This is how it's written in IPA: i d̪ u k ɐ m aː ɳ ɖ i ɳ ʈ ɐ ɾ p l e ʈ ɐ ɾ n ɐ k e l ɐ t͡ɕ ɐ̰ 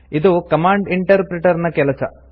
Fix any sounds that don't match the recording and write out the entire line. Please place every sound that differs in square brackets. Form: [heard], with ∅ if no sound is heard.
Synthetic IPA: i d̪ u k ɐ m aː ɳ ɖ i ɳ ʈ ɐ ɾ p [ɾ] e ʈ ɐ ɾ n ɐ k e l ɐ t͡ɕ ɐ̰